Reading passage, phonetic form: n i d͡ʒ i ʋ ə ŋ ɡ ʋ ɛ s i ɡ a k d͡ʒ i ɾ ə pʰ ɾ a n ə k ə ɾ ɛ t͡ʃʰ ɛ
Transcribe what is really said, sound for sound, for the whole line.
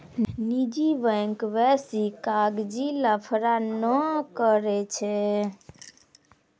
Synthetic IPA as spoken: n i d͡ʒ i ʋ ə ŋ k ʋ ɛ s i k a ɡ d͡ʒ i l ə pʰ ɾ a n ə k ə ɾ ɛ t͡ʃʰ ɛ